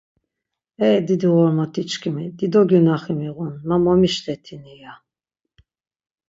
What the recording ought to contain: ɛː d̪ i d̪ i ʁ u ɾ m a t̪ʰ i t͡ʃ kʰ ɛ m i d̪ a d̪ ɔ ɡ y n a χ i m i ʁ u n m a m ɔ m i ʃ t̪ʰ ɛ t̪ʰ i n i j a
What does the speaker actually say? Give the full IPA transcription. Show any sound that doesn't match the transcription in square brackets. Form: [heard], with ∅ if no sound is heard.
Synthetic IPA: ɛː d̪ i d̪ i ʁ [ɔ] ɾ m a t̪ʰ i t͡ʃ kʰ [i] m i d̪ [i] d̪ ɔ ɡ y n a χ i m i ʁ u n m a m ɔ m i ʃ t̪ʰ ɛ t̪ʰ i n i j a